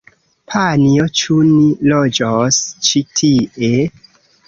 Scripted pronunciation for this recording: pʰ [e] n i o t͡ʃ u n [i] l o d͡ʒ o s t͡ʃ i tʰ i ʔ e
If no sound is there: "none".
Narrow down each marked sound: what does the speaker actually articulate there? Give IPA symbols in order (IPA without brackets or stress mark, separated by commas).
a, i